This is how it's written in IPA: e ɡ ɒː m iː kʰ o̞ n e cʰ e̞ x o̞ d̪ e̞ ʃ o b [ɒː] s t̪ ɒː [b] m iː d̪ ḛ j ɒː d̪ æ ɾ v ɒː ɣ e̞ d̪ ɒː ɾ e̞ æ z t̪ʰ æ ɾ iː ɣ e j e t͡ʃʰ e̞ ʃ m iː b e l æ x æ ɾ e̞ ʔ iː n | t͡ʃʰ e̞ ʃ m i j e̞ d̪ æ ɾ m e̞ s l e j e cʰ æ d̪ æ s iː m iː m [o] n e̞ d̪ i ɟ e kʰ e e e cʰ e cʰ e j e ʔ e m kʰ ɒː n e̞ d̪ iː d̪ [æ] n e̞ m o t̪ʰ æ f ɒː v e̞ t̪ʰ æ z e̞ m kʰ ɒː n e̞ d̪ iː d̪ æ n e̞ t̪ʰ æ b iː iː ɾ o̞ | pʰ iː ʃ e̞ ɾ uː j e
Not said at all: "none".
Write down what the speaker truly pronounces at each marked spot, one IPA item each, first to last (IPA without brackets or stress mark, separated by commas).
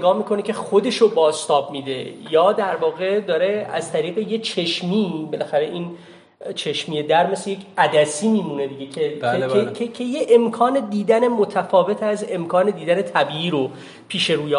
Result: ɒː, b, u, æ